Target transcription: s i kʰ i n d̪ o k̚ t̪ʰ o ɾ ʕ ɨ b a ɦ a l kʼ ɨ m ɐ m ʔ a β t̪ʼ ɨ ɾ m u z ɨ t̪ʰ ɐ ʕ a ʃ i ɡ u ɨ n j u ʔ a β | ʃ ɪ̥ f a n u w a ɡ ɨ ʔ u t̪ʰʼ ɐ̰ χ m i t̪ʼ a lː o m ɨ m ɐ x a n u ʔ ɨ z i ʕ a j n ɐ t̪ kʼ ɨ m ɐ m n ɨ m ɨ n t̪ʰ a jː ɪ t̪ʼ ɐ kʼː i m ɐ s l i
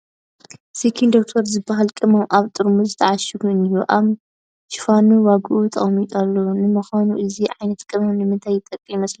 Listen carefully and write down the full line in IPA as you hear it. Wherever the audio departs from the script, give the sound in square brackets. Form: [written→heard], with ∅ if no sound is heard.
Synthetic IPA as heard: s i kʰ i n d̪ o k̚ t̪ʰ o ɾ [ʕ→z] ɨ b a ɦ a l kʼ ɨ m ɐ m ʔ a β t̪ʼ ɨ ɾ m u z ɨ t̪ʰ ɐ ʕ a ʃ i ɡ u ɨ n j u ʔ a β | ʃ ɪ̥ f a n u w a ɡ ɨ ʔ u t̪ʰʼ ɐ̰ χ m i t̪ʼ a lː o [m→n] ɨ m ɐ x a n u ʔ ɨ z i ʕ a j n ɐ t̪ kʼ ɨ m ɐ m n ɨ m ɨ n t̪ʰ a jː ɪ t̪ʼ ɐ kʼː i m ɐ s l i

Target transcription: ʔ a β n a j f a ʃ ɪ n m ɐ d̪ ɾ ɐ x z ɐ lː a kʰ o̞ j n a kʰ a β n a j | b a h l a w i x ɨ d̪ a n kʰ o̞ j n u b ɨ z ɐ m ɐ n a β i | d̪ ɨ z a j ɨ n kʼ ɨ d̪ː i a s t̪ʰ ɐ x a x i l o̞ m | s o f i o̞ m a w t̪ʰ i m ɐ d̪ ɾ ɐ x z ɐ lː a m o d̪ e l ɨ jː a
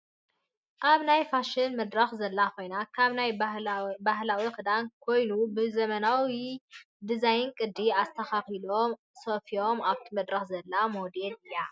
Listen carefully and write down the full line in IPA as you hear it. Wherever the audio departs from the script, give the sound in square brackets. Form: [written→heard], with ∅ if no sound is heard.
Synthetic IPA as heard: ʔ a β n a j f a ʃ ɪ n m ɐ d̪ ɾ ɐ x z ɐ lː a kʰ o̞ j n a kʰ a β n a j | b a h l a w i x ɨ d̪ a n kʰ o̞ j n u b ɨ z ɐ m ɐ n a [β→w] i | d̪ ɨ z a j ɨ n kʼ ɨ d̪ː i a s t̪ʰ ɐ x a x i l o̞ m | s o f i o̞ m a [w→β] t̪ʰ i m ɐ d̪ ɾ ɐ x z ɐ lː a m o d̪ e l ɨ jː a

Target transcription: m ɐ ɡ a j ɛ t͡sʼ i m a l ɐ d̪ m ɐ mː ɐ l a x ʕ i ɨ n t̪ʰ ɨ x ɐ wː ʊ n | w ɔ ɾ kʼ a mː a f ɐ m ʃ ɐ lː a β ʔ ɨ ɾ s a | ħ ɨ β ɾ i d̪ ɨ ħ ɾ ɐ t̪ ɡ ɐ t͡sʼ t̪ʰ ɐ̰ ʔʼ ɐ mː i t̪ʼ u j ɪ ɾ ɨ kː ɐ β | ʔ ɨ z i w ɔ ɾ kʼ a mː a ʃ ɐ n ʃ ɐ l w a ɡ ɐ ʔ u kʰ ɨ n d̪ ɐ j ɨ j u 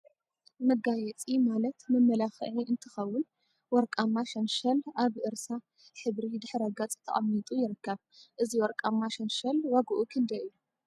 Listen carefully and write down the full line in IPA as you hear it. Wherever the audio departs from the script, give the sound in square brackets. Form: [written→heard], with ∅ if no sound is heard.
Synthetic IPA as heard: m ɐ ɡ a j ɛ t͡sʼ i m a l ɐ [d̪→t̪] m ɐ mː ɐ l a x ʕ i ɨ n t̪ʰ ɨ x ɐ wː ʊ n | w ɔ ɾ kʼ a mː a [f→ʃ] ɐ [m→n] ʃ ɐ [lː→l] a β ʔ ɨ ɾ s a | ħ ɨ β ɾ i d̪ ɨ ħ ɾ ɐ [t̪→∅] ɡ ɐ t͡sʼ t̪ʰ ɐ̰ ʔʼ ɐ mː i t̪ʼ u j ɪ ɾ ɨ kː ɐ β | ʔ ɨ z i w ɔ ɾ kʼ a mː a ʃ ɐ n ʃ ɐ l w a ɡ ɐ ʔ u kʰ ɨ n d̪ ɐ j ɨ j u

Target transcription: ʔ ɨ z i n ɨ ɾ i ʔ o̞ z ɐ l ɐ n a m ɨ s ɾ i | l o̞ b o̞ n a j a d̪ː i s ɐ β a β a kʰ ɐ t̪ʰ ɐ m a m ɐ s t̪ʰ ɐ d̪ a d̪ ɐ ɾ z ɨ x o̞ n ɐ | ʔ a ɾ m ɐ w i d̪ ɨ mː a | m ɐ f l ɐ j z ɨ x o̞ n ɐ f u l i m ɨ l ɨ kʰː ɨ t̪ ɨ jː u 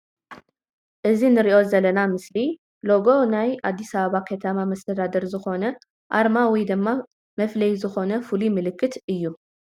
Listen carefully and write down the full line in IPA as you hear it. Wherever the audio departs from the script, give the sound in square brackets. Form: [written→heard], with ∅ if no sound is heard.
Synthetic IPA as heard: ʔ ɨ z i n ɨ ɾ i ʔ o̞ z ɐ l ɐ n a m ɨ s [ɾ→l] i | l o̞ [b→ɡ] o̞ n a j a d̪ː i s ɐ β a β a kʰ ɐ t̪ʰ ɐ m a m ɐ s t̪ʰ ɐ d̪ a d̪ ɐ ɾ z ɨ x o̞ n ɐ | ʔ a ɾ m [ɐ→a] w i d̪ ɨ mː a | m ɐ f l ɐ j z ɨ x o̞ n ɐ f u l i m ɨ l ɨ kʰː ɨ t̪ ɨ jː u

